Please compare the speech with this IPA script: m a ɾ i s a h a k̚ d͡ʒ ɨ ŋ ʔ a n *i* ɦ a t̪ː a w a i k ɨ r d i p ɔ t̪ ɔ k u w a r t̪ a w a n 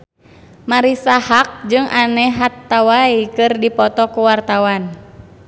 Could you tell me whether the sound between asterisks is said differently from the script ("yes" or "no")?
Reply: yes